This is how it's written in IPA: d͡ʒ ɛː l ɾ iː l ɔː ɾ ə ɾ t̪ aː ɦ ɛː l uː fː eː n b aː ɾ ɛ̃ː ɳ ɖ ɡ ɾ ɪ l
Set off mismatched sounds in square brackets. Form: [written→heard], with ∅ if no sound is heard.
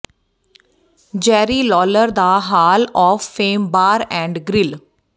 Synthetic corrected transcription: d͡ʒ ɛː [l→∅] ɾ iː l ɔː [ɾ→l] ə ɾ [t̪→d̪] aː ɦ [ɛː→aː] l [uː→ɔː] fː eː [n→m] b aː ɾ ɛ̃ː ɳ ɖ ɡ ɾ ɪ l